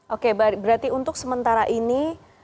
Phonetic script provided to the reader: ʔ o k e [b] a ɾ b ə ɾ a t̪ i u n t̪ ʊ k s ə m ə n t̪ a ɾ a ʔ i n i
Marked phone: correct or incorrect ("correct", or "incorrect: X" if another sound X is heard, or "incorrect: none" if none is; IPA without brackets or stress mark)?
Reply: correct